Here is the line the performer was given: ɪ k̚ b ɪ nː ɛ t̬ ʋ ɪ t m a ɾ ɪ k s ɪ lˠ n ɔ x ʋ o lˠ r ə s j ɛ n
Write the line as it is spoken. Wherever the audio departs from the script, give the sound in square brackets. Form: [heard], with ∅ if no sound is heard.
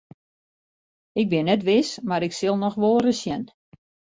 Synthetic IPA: ɪ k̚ b ɪ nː ɛ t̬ ʋ ɪ [s] m a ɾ ɪ k s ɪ lˠ n ɔ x ʋ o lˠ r ə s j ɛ n